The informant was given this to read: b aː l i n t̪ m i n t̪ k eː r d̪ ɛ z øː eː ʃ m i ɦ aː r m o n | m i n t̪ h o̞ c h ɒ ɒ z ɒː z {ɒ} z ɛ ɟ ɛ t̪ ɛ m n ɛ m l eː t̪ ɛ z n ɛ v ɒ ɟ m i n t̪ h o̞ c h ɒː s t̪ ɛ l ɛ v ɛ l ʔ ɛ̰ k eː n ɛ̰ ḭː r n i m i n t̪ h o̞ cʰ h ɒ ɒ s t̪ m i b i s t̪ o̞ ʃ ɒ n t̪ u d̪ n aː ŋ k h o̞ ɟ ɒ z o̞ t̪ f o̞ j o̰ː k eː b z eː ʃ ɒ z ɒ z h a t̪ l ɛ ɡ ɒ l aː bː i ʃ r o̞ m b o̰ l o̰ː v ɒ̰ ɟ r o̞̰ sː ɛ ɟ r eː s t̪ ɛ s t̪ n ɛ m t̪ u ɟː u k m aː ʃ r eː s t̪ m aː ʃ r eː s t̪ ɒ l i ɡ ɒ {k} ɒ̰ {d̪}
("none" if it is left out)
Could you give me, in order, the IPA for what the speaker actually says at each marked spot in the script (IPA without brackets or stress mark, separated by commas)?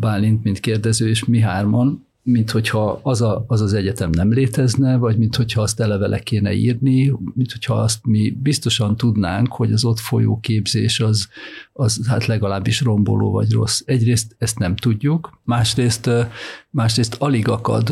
ɒ, k, d̪